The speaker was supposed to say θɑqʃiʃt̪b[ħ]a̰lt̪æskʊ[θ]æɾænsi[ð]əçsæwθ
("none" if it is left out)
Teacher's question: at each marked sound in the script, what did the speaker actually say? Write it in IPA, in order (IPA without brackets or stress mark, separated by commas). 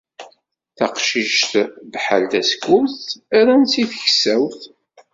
ħ, θ, θ